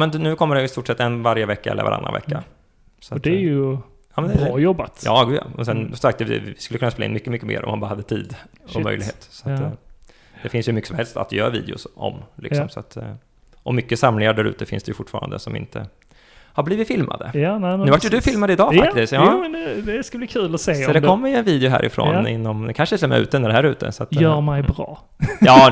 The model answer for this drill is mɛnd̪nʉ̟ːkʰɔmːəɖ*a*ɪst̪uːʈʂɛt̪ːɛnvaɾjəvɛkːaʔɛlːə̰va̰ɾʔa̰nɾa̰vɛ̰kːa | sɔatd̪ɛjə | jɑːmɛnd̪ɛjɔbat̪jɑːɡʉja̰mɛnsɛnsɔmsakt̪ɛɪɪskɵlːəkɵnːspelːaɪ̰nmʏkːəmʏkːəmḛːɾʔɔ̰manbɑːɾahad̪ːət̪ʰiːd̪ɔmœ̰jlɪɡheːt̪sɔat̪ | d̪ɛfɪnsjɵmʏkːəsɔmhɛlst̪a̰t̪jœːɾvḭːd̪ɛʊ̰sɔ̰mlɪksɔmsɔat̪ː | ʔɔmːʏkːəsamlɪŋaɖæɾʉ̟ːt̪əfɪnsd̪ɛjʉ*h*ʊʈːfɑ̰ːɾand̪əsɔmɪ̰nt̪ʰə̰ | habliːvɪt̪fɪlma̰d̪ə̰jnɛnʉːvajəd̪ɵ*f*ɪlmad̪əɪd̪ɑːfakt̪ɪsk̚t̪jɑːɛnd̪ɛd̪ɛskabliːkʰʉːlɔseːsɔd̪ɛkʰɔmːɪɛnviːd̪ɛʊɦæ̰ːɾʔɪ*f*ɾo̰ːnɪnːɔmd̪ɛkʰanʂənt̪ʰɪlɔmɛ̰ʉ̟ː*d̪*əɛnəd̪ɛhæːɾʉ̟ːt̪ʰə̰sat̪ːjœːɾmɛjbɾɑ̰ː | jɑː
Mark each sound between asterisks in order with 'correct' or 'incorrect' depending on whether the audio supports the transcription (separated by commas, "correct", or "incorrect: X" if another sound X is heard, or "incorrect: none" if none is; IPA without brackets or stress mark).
incorrect: ɛ, incorrect: f, correct, correct, incorrect: t̪